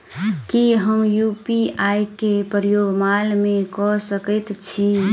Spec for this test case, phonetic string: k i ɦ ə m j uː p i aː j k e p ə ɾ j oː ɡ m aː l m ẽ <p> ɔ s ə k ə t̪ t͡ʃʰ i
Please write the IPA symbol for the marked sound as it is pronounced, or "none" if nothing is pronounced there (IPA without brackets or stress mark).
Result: k